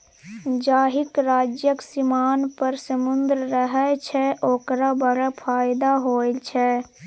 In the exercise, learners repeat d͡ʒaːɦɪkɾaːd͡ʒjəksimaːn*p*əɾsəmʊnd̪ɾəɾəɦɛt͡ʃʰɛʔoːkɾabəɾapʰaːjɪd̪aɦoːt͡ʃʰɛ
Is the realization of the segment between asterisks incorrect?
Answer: no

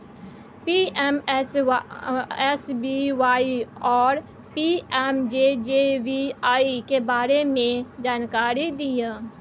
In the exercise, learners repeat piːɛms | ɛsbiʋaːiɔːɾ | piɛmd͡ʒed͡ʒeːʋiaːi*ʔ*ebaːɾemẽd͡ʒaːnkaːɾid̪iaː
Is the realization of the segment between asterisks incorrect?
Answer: yes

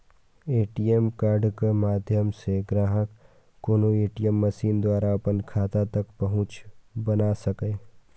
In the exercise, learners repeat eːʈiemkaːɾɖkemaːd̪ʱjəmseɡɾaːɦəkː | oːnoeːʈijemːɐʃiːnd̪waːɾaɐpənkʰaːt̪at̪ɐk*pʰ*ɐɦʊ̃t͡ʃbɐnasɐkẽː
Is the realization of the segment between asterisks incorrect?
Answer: yes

